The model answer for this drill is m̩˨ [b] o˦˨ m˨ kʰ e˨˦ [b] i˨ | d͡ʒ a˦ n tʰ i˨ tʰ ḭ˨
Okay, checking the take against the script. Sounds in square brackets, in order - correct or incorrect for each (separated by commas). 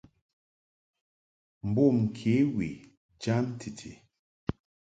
correct, incorrect